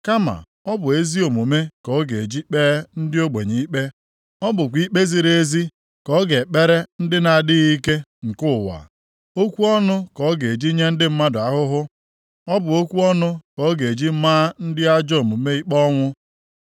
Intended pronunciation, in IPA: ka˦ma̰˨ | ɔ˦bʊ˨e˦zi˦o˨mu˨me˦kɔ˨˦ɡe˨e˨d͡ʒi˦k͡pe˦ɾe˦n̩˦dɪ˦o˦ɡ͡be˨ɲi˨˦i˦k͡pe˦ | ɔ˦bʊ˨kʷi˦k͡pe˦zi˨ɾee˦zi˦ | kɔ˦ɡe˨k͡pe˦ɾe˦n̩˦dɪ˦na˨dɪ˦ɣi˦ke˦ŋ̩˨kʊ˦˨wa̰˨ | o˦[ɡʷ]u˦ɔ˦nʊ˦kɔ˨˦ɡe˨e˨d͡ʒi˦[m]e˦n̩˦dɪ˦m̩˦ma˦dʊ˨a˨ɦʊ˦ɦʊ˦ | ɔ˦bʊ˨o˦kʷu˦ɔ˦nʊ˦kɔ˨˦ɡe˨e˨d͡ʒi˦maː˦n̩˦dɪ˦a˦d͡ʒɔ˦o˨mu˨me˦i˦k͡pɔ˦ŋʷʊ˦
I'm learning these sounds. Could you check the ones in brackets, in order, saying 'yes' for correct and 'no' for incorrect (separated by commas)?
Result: no, no